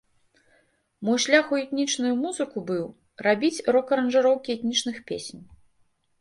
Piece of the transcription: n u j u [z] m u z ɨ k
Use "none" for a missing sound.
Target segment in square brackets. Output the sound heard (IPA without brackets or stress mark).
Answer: none